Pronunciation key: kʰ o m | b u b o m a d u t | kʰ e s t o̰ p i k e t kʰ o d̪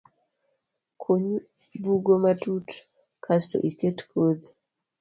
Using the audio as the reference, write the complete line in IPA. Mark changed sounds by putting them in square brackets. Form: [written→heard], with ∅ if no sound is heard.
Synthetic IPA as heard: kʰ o [m→ɲ] | b u [b→ɡ] o m a [d→t] u t | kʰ [e→a] s t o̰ [p→ʔ] i k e t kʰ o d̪